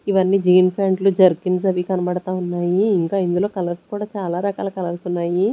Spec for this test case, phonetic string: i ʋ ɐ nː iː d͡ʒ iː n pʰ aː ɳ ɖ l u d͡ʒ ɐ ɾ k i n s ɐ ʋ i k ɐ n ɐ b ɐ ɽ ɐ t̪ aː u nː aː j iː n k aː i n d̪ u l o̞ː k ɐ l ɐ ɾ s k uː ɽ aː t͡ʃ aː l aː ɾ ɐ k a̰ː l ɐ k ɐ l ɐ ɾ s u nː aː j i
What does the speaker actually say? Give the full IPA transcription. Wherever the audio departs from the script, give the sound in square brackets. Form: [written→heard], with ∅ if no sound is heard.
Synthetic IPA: i ʋ ɐ nː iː d͡ʒ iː n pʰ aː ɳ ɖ l u d͡ʒ ɐ ɾ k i n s ɐ ʋ i k ɐ n ɐ b ɐ ɽ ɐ t̪ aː u nː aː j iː [n→ŋ] k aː i n d̪ u l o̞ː k ɐ l ɐ ɾ s k uː ɽ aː t͡ʃ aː l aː ɾ ɐ k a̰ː l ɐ k ɐ l ɐ ɾ s u nː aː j i